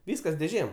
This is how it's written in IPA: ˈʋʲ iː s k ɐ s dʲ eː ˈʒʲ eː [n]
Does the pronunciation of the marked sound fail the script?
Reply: yes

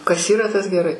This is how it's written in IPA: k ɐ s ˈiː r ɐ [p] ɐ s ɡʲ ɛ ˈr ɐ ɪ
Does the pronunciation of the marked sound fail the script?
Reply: yes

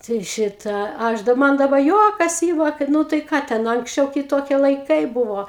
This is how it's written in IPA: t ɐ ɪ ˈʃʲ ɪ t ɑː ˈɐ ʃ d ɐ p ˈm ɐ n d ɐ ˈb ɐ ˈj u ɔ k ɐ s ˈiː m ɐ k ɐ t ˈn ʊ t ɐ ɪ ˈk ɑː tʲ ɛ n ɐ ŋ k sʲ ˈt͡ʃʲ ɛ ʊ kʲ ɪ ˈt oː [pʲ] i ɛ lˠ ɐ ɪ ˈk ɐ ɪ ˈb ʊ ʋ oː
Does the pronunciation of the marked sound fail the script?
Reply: yes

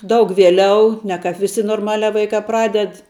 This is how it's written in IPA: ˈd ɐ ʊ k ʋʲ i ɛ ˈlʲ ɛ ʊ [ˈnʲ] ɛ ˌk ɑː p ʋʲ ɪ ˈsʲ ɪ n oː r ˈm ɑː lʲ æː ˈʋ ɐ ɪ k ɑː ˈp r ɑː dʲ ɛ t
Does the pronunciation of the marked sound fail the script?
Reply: no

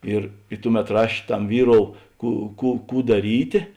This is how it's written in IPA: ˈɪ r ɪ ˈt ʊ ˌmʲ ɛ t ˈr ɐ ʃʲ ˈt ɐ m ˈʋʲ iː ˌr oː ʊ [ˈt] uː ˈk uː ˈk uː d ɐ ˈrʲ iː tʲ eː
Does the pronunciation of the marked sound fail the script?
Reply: yes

